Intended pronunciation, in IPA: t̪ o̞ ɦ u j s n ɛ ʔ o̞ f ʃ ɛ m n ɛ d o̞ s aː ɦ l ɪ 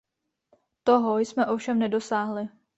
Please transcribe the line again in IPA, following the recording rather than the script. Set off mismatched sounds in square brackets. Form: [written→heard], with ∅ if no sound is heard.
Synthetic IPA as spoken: t̪ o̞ ɦ [u→o] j s [n→m] ɛ ʔ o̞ f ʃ ɛ m n ɛ d o̞ s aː ɦ l ɪ

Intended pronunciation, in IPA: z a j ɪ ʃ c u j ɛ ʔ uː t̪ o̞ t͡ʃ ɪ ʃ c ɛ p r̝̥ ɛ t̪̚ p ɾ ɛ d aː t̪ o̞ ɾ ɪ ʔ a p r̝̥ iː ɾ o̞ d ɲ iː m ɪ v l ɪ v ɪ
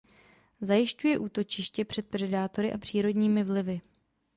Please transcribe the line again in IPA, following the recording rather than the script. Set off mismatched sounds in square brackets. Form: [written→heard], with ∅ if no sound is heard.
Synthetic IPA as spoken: z a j ɪ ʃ c u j ɛ ʔ uː t̪ o̞ t͡ʃ ɪ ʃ c ɛ p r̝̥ ɛ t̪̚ p ɾ ɛ d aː t̪ o̞ ɾ ɪ ʔ a p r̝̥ iː ɾ o̞ d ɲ iː m ɪ v l ɪ v ɪ

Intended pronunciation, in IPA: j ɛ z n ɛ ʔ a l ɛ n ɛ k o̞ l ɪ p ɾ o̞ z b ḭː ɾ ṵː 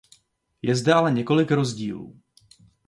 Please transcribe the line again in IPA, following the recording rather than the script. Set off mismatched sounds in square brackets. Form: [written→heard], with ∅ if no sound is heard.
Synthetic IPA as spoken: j ɛ z [n→d] ɛ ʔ a l ɛ [n→ɲ] ɛ k o̞ l ɪ [p→k] ɾ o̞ z [b→ɟ] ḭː [ɾ→l] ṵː

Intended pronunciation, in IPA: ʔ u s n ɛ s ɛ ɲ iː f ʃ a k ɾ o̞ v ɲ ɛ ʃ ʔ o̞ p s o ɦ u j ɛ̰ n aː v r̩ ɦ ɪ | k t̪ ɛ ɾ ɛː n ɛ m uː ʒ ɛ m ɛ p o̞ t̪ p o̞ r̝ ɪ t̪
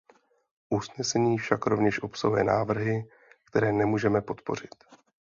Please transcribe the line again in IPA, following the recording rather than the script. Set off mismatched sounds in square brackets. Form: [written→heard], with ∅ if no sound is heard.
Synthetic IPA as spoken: ʔ u s n ɛ s ɛ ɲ iː f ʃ a k ɾ o̞ v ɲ ɛ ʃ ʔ o̞ p s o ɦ u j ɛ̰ n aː v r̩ ɦ ɪ | k t̪ ɛ ɾ ɛː n ɛ m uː ʒ ɛ m ɛ p o̞ t̪ p o̞ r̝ ɪ t̪

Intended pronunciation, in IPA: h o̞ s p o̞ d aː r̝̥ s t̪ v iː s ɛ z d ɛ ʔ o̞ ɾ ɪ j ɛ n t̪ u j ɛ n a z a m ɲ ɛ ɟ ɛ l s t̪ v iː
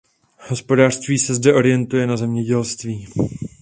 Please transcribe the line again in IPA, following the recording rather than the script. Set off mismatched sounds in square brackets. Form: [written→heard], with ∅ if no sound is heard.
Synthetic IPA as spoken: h o̞ s p o̞ d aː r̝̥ s t̪ v iː s ɛ z d ɛ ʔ o̞ ɾ ɪ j ɛ n t̪ u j ɛ n a z [a→ɛ] m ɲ ɛ ɟ ɛ l s t̪ v iː

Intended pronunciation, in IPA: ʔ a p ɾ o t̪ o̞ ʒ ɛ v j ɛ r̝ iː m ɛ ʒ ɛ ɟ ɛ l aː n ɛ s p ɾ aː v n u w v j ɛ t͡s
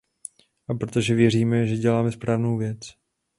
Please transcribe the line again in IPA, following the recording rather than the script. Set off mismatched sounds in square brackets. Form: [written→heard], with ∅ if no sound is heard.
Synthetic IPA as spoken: ʔ a p ɾ o t̪ o̞ ʒ ɛ v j ɛ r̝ iː m ɛ ʒ ɛ ɟ ɛ l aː [n→m] ɛ s p ɾ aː v n [u→o] w v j ɛ t͡s

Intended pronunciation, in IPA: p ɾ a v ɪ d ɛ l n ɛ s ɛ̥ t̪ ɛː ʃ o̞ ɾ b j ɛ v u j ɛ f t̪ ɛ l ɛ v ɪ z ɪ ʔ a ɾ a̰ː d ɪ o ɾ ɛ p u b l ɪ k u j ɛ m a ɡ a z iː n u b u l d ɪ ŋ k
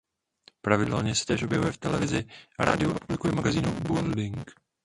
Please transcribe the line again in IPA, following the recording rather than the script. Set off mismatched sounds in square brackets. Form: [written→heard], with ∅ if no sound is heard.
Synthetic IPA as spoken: p ɾ a v ɪ d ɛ l [n→ɲ] ɛ s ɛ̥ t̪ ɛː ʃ o̞ [ɾ→∅] b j ɛ v u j ɛ f t̪ ɛ l ɛ v ɪ z ɪ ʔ a ɾ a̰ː d ɪ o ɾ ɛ p u b l ɪ k u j ɛ m a ɡ a z iː n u b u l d ɪ ŋ k

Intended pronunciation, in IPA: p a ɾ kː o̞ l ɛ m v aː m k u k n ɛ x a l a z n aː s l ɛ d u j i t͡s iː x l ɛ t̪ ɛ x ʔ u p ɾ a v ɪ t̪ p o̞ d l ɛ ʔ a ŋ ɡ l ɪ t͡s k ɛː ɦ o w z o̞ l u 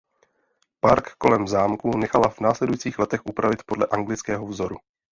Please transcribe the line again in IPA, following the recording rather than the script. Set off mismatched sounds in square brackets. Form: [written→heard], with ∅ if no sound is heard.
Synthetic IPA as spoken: p a ɾ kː o̞ l ɛ m [v→z] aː m k u [k→∅] n ɛ x a l a [z→v] n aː s l ɛ d u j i t͡s iː x l ɛ t̪ ɛ x ʔ u p ɾ a v ɪ t̪ p o̞ d l ɛ ʔ a ŋ ɡ l ɪ t͡s k ɛː ɦ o [w→v] z o̞ [l→ɾ] u

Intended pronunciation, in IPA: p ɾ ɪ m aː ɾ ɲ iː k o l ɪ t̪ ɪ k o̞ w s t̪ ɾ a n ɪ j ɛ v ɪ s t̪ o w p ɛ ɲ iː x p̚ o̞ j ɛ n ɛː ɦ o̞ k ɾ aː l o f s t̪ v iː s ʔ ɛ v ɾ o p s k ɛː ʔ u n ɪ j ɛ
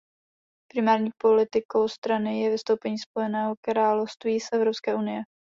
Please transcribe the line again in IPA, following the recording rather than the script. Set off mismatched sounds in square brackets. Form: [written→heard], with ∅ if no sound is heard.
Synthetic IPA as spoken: p ɾ ɪ m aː ɾ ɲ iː [k→p] o l ɪ t̪ ɪ k o̞ w s t̪ ɾ a n ɪ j ɛ v ɪ s t̪ o w p ɛ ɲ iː [x→s] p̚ o̞ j ɛ n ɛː ɦ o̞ k ɾ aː l o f s t̪ v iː s ʔ ɛ v ɾ o p s k ɛː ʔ u n ɪ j ɛ

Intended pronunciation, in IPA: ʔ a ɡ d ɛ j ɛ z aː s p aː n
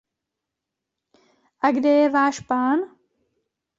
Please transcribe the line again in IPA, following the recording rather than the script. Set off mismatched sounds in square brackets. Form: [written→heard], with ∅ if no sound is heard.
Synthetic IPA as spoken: ʔ a ɡ d ɛ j ɛ [z→v] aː [s→ʃ] p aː n

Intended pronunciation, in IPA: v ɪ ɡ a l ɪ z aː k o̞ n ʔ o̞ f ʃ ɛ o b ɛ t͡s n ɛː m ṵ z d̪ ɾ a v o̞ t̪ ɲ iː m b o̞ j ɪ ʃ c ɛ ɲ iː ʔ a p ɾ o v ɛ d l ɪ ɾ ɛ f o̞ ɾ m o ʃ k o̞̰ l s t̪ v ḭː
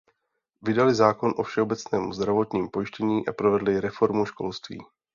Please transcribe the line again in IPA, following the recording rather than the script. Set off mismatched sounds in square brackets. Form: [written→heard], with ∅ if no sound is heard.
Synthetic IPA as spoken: v ɪ [ɡ→d] a l ɪ z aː k o̞ n ʔ o̞ f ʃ ɛ o b ɛ t͡s n ɛː m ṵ z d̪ ɾ a v o̞ t̪ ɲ iː m [b→p] o̞ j ɪ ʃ c ɛ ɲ iː ʔ a p ɾ o v ɛ d l ɪ ɾ ɛ f o̞ ɾ m [o→u] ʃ k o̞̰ l s t̪ v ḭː

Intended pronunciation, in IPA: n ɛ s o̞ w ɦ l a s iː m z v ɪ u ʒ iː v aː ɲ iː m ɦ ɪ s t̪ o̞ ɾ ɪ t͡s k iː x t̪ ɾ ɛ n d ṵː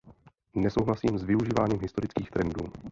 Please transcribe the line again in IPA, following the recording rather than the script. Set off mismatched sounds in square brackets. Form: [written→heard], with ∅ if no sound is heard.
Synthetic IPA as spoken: n ɛ s o̞ w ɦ l a s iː m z v ɪ u ʒ iː v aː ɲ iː m ɦ ɪ s t̪ o̞ ɾ ɪ t͡s k iː x t̪ ɾ ɛ n d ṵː

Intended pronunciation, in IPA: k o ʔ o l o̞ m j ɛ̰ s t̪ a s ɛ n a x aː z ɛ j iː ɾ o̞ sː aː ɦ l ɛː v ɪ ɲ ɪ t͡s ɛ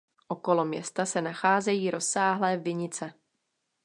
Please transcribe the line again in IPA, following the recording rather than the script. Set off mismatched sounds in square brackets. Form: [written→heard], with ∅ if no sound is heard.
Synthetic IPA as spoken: [k→ʔ] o [ʔ→k] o l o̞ m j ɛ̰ s t̪ a s ɛ n a x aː z ɛ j iː ɾ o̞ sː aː ɦ l ɛː v ɪ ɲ ɪ t͡s ɛ

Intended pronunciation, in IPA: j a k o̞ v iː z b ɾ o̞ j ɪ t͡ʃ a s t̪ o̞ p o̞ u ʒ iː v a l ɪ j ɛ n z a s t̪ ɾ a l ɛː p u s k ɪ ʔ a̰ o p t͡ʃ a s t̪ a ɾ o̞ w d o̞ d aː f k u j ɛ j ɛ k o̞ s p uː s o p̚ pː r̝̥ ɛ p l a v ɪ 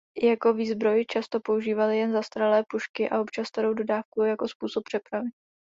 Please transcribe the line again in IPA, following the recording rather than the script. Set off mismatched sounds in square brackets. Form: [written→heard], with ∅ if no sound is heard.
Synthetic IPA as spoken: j a k o̞ v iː z b ɾ o̞ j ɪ t͡ʃ a s t̪ o̞ p o̞ u ʒ iː v a l ɪ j ɛ n z a s t̪ ɾ a l ɛː p u [s→ʃ] k ɪ ʔ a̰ o p t͡ʃ a s t̪ a ɾ o̞ w d o̞ d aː f k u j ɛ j [ɛ→a] k o̞ s p uː s o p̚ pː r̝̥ ɛ p [l→ɾ] a v ɪ

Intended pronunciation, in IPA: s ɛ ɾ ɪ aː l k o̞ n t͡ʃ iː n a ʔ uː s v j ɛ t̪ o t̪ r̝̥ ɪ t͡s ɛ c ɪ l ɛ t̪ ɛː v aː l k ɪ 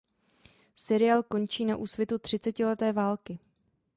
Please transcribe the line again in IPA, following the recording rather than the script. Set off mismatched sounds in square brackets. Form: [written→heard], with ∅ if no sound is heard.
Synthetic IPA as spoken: s ɛ ɾ ɪ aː l k o̞ n t͡ʃ iː n a ʔ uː s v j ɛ t̪ [o→u] t̪ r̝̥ ɪ t͡s ɛ c ɪ l ɛ t̪ ɛː v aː l k ɪ

